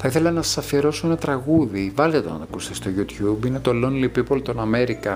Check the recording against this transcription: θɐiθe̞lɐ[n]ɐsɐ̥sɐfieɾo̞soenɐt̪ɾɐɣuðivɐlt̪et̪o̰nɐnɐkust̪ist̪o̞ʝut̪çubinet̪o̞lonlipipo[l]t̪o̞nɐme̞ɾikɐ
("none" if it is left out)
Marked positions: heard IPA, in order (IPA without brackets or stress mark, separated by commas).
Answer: n, l